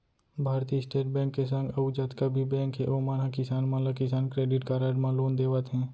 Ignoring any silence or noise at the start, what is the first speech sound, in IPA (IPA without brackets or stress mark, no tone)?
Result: bʱ